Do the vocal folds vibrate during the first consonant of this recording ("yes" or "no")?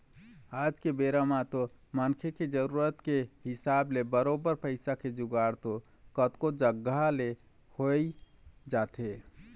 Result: yes